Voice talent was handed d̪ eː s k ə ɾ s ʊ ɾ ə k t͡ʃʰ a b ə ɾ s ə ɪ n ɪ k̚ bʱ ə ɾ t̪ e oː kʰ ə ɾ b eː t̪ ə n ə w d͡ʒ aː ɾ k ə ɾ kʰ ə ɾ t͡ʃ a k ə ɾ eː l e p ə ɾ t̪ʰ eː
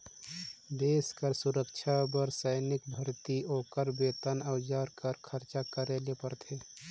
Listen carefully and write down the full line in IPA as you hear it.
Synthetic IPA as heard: d̪ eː s k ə ɾ s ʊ ɾ ə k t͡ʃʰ a b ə ɾ s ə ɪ n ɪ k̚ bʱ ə ɾ t̪ i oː k ə ɾ b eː t̪ ə n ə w d͡ʒ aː ɾ k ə ɾ kʰ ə ɾ t͡ʃ a k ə ɾ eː l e p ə ɾ t̪ʰ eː

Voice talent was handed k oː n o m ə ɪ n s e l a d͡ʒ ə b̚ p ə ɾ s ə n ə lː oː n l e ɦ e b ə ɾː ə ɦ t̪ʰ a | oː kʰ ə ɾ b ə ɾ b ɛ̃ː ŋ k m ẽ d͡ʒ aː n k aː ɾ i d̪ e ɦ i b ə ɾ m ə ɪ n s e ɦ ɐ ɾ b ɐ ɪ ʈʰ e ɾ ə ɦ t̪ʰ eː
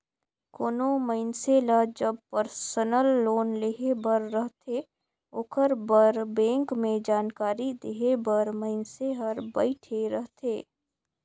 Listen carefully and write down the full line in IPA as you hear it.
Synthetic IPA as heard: k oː n o m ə ɪ n s e l a d͡ʒ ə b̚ p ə ɾ s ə n ə lː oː n l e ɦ e b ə ɾː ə ɦ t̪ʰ e | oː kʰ ə ɾ b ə ɾ b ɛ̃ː ŋ k m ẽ d͡ʒ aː n k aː ɾ i d̪ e ɦ e b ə ɾ m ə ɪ n s e ɦ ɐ ɾ b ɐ ɪ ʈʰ e ɾ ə ɦ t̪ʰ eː

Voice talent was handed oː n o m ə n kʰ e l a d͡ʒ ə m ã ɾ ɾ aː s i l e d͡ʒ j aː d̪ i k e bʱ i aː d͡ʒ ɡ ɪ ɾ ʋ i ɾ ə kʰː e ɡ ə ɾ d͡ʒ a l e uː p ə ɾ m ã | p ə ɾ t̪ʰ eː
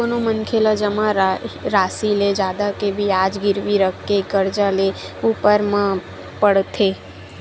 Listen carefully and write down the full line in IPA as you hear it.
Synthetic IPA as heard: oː n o m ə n kʰ e l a d͡ʒ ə m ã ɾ ɾ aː s i l e d͡ʒ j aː d̪ a k e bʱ i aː d͡ʒ ɡ ɪ ɾ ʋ i ɾ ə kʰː e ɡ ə ɾ d͡ʒ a l e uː p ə ɾ m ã | p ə ɽ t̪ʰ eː

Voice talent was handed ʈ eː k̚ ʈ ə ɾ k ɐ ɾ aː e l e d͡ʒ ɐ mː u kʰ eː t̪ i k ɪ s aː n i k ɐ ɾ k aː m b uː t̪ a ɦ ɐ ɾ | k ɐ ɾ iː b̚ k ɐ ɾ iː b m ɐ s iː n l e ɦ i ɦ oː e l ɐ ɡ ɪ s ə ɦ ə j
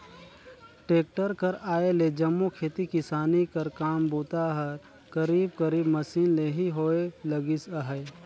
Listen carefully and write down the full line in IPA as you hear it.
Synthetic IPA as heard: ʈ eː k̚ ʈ ə ɾ k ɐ ɾ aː e l e d͡ʒ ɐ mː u kʰ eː t̪ i k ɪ s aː n i k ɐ ɾ k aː m b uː t̪ a ɦ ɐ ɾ | k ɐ ɾ iː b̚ k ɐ ɾ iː b m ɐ s iː n l e ɦ i ɦ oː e l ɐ ɡ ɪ s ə ɦ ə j

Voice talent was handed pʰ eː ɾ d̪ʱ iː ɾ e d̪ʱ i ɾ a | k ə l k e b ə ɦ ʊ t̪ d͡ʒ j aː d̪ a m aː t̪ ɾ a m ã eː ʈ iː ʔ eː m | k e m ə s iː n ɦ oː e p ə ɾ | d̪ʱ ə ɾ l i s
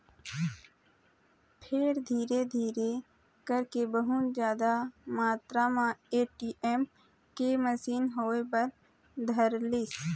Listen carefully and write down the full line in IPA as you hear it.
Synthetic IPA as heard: pʰ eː ɾ d̪ʱ iː ɾ e d̪ʱ iː ɾ e | k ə ɾ k e b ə ɦ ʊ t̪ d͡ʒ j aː d̪ a m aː t̪ ɾ a m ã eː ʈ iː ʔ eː m | k e m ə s iː n ɦ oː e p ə ɾ | d̪ʱ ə ɾ l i s

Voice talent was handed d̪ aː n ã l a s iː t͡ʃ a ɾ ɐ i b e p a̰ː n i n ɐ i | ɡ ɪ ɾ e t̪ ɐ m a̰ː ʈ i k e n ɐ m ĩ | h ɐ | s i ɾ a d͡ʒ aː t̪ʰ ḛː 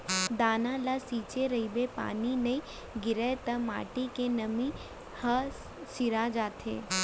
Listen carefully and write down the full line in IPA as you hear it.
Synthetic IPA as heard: d̪ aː n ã l a s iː t͡ʃ e ɾ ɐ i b e p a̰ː n i n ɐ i | ɡ ɪ ɾ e t̪ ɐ m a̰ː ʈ i k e n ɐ m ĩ | h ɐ | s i ɾ a d͡ʒ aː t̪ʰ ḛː

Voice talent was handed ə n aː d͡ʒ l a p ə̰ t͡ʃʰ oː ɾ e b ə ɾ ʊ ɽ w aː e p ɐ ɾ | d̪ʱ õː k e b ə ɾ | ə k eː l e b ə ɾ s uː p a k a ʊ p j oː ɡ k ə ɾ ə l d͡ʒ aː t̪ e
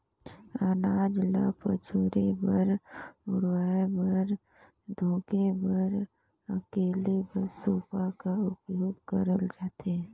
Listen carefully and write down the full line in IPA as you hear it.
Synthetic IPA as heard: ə n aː d͡ʒ l a p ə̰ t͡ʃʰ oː ɾ e b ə ɾ ʊ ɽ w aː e b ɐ ɾ | d̪ʱ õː k e b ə ɾ | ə k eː l e b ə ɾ s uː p a k a ʊ p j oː ɡ k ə ɾ ə l d͡ʒ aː t̪ e

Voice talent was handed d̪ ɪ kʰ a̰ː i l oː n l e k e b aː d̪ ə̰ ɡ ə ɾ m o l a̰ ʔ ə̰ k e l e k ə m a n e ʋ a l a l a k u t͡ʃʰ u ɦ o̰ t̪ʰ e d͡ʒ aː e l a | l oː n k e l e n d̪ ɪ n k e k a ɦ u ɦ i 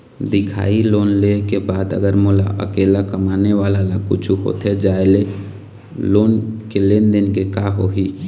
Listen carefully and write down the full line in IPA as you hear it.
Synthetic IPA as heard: d̪ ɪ kʰ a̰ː i l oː n l e k e b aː d̪ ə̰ ɡ ə ɾ m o l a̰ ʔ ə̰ k e l a k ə m a n e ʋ a l a l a k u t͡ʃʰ u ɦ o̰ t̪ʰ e d͡ʒ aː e l e | l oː n k e l e n d̪ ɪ n k e k a ɦ o ɦ i

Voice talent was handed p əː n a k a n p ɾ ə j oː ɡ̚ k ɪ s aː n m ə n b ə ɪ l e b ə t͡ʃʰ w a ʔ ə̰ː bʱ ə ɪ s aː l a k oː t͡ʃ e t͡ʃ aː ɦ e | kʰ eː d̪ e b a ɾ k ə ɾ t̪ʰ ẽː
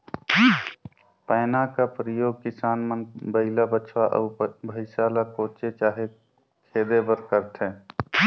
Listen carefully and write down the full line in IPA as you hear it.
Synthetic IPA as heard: p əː n a k a p ɾ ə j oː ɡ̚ k ɪ s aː n m ə n b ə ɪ l a b ə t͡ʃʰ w a ʔ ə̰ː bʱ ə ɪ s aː l a k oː t͡ʃ e t͡ʃ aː ɦ e | kʰ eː d̪ e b ə ɾ k ə ɾ t̪ʰ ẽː

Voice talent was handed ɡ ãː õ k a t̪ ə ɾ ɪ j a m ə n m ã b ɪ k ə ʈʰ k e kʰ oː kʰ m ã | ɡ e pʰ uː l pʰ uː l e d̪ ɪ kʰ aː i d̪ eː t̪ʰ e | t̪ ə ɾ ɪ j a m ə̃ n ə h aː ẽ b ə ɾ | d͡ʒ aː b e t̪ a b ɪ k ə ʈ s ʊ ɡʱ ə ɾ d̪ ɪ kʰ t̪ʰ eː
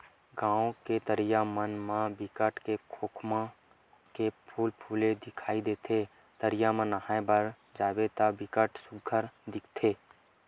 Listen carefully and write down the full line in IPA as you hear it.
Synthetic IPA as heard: ɡ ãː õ k e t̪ ə ɾ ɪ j a m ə n m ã b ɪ k ə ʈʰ k e kʰ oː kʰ m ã | k e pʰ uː l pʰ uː l e d̪ ɪ kʰ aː i d̪ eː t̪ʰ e | t̪ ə ɾ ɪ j a m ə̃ n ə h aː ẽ b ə ɾ | d͡ʒ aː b e t̪ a b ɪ k ə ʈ s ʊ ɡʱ ə ɾ d̪ ɪ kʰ t̪ʰ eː

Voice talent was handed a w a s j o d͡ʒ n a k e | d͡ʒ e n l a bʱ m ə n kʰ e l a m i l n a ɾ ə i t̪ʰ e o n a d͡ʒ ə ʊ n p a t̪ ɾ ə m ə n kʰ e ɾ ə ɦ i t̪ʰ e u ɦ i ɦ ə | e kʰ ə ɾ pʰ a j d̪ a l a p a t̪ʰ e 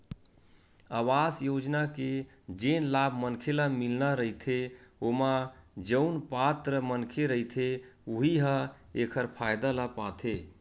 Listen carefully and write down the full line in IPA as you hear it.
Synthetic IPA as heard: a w a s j o d͡ʒ n a k e | d͡ʒ e n l a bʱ m ə n kʰ e l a m i l n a ɾ ə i t̪ʰ e o m a d͡ʒ ə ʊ n p a t̪ ɾ ə m ə n kʰ e ɾ ə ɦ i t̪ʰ e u ɦ i ɦ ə | e kʰ ə ɾ pʰ a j d̪ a l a p a t̪ʰ e

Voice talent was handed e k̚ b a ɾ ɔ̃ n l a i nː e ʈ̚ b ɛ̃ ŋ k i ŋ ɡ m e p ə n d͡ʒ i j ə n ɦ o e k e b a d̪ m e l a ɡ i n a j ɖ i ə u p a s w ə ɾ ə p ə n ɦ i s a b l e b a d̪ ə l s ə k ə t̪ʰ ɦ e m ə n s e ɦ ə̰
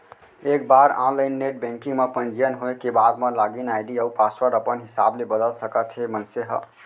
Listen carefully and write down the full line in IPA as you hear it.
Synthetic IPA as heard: e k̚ b a ɾ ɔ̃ n l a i nː e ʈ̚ b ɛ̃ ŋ k i ŋ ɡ m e p ə n d͡ʒ i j ə n ɦ o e k e b a d̪ m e l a ɡ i n a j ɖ i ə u p a s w ə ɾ ə p ə n ɦ i s a b l e b ə d̪ ə l s ə k ə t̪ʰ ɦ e m ə n s e ɦ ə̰

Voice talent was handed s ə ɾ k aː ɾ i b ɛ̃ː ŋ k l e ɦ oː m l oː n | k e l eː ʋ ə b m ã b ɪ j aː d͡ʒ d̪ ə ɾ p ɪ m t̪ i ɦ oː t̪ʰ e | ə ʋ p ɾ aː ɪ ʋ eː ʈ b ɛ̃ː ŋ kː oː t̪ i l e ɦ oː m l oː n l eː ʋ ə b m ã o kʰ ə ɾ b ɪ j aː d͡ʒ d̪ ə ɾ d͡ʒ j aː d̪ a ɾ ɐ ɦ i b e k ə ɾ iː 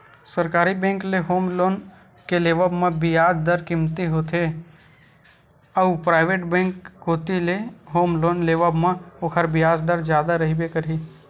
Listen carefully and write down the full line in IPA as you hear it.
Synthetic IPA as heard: s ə ɾ k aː ɾ i b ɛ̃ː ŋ k l e ɦ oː m l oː n | k e l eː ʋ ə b m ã b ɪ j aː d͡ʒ d̪ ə ɾ k ɪ m t̪ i ɦ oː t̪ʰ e | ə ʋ p ɾ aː ɪ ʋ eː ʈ b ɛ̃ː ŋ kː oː t̪ i l e ɦ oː m l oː n l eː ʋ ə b m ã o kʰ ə ɾ b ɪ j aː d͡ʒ d̪ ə ɾ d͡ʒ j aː d̪ a ɾ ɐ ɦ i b e k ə ɾ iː

